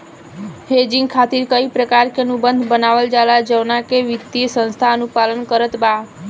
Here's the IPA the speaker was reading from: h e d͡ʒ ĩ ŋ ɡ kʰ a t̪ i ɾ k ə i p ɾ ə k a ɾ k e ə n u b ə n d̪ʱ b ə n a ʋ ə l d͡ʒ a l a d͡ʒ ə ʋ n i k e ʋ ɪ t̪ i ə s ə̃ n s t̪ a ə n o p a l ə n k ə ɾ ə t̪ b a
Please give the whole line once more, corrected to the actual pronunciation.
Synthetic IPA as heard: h e d͡ʒ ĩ ŋ ɡ kʰ a t̪ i ɾ k ə i p ɾ ə k a ɾ k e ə n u b ə n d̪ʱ b ə n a ʋ ə l d͡ʒ a l a d͡ʒ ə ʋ n a k e ʋ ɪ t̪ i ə s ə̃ n s t̪ʰ a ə n u p a l ə n k ə ɾ ə t̪ b a